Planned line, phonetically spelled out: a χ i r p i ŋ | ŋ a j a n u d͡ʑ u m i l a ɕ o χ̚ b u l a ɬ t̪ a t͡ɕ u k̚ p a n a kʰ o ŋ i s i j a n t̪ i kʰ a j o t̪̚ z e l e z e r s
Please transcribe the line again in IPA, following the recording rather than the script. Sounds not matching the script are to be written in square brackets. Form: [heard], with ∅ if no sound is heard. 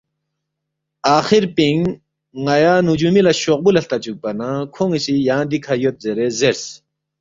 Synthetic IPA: a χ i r p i ŋ | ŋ a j a n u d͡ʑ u m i l a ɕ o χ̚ b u l a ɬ t̪ a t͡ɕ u k̚ p a n a kʰ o ŋ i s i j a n [d̪] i kʰ a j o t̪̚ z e [ɾ] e z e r s

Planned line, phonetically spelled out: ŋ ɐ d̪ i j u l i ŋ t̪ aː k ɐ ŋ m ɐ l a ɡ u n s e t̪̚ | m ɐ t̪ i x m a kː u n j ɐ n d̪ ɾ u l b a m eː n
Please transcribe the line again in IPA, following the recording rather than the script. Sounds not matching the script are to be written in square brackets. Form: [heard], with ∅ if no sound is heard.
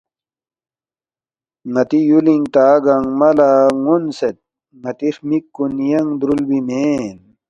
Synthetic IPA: ŋ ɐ [t̪] i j u l i ŋ t̪ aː [ɡ] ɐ ŋ m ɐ l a [ŋ] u n s e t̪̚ | [ŋ] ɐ t̪ i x m [i] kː u n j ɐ [ŋ] d̪ ɾ u l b [i] m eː n

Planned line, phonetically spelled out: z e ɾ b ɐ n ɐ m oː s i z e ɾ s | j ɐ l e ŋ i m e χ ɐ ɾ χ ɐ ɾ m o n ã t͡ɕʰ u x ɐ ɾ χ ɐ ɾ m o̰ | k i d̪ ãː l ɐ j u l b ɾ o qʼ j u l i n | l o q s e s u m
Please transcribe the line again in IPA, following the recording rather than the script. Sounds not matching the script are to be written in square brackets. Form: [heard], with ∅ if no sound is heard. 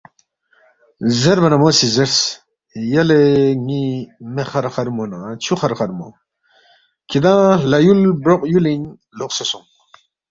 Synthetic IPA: z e ɾ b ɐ n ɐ m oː s i z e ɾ s | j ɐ l e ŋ i m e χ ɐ ɾ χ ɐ ɾ m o n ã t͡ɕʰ u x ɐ ɾ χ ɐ ɾ m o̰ | k i d̪ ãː l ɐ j u l b ɾ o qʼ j u l i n | l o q s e s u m

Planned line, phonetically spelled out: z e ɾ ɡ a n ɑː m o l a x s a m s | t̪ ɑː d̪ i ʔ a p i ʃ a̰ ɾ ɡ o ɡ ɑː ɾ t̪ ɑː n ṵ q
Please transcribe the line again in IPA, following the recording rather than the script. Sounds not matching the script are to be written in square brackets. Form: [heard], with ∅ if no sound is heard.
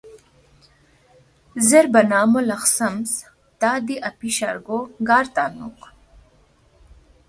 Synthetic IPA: z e ɾ [b] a n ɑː m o l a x s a m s | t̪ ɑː d̪ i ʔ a p i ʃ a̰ ɾ ɡ o ɡ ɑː ɾ t̪ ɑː n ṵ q

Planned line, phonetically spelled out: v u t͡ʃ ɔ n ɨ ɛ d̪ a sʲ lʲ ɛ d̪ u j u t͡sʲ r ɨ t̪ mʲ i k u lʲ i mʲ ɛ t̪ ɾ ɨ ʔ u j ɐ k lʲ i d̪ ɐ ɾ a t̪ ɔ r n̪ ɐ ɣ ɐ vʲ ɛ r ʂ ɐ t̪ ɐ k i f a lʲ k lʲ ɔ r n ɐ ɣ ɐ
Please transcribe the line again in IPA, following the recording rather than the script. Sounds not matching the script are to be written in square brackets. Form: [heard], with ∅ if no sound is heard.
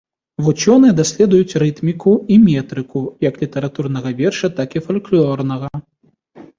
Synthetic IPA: v u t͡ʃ ɔ n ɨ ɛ d̪ a sʲ lʲ ɛ d̪ u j u t͡sʲ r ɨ t̪ mʲ i k u [∅] i mʲ ɛ t̪ ɾ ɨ [k] u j ɐ k lʲ i [t̪] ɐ ɾ a t̪ [u] r n̪ ɐ ɣ ɐ vʲ ɛ r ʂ ɐ t̪ [a] k i f a lʲ k lʲ ɔ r n ɐ ɣ ɐ

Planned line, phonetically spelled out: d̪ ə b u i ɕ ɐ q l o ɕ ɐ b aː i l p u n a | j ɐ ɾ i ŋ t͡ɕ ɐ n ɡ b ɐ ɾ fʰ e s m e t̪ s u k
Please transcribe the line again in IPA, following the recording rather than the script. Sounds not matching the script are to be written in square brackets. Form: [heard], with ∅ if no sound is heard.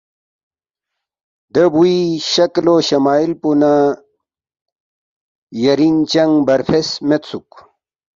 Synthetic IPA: d̪ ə b u i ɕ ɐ [k] l o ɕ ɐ [m] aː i l p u n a | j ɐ ɾ i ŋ t͡ɕ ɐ [ŋ] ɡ b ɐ ɾ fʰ e s m e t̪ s u k

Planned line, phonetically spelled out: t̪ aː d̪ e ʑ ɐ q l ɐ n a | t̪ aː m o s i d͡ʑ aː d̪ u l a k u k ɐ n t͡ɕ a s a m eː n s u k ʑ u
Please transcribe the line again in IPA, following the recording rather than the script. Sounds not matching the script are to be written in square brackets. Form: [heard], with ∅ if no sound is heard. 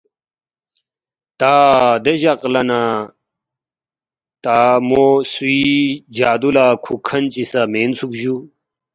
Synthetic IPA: t̪ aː d̪ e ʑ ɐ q l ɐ n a | t̪ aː m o s i d͡ʑ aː d̪ u l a [kʰ] u [kʰ] ɐ n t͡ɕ [i] s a m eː n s u k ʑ u

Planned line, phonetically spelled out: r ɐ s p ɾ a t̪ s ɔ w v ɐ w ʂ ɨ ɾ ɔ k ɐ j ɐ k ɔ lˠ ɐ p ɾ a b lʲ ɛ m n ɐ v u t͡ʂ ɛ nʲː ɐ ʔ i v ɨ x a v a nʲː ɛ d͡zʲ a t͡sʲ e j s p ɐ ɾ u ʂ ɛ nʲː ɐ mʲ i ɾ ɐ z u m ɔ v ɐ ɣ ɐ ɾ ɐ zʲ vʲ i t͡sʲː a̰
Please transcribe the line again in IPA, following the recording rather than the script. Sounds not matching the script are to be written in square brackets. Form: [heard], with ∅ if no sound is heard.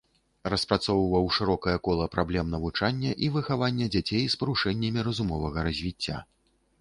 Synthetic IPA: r ɐ s p ɾ a t̪ s ɔ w v ɐ w ʂ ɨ ɾ ɔ k ɐ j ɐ k ɔ lˠ ɐ p ɾ a b lʲ ɛ m n ɐ v u t͡ʂ [a] nʲː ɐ ʔ i v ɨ x a v a nʲː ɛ d͡zʲ a t͡sʲ e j s p ɐ ɾ u ʂ ɛ nʲː ɐ mʲ i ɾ ɐ z u m ɔ v ɐ ɣ ɐ ɾ ɐ zʲ vʲ i t͡sʲː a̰

